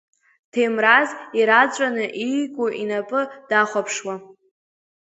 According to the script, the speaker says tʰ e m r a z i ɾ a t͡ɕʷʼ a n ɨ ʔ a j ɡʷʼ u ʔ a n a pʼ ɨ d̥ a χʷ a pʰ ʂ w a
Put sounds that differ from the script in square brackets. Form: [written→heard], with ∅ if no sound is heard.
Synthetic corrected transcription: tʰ e m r a z i ɾ a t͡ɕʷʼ a n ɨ ʔ [a→i] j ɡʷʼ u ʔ [a→i] n a pʼ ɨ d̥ a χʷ a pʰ ʂ w a